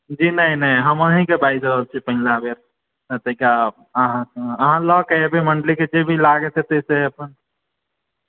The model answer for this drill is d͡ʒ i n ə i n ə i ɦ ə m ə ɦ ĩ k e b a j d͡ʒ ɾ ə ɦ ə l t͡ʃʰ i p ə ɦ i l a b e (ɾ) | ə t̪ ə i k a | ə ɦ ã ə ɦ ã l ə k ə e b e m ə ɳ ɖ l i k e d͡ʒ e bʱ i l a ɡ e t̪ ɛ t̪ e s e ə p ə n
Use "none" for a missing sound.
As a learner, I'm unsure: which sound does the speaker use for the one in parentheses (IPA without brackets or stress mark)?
ɾ